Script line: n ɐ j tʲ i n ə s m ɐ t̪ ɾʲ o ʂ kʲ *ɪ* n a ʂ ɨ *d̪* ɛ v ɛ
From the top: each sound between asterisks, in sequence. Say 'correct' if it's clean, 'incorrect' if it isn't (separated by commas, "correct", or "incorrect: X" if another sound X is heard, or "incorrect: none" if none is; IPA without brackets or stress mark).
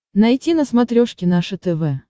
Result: correct, incorrect: t̪